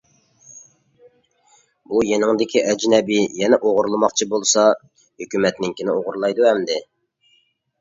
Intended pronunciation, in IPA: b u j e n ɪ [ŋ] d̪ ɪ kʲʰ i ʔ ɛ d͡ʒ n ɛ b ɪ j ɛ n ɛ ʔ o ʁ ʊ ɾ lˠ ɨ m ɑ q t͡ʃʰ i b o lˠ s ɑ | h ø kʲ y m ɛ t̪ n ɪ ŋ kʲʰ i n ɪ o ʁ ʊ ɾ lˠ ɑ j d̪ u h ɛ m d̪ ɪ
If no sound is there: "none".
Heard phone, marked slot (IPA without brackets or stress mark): ŋ